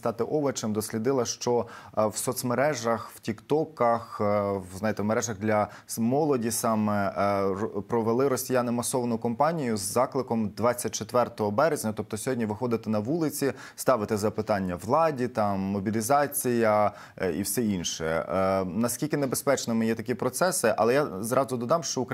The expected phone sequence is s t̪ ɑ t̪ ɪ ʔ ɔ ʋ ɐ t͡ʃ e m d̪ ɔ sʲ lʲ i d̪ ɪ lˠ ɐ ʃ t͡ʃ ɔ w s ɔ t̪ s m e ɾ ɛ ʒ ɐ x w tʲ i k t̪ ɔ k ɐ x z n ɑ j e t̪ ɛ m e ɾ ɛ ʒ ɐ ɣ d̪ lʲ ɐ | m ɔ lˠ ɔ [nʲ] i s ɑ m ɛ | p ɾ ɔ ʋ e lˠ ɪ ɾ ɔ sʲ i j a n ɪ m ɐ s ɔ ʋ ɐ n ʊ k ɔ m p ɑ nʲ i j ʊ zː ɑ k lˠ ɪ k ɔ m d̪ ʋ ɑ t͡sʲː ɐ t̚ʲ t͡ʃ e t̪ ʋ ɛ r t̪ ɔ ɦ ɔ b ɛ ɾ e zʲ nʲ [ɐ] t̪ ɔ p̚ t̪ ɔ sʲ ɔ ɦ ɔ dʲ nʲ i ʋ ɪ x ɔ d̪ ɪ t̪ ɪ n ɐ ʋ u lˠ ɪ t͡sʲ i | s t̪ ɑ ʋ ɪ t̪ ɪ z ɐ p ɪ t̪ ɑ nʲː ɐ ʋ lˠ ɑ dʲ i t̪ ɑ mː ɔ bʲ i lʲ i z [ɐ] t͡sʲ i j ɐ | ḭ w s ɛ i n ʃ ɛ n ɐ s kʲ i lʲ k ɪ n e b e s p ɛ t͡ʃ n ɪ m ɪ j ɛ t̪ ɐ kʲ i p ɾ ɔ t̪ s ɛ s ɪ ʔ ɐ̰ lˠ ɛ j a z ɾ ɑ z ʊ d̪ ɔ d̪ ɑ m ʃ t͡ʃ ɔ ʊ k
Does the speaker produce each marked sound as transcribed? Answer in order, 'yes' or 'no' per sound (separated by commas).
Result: no, yes, no